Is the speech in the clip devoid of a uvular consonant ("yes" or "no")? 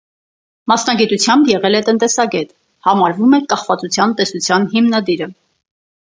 no